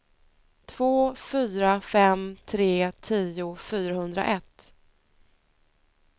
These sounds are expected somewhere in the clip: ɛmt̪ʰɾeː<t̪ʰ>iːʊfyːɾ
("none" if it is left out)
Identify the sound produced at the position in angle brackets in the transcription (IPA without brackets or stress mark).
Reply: t̪ʰ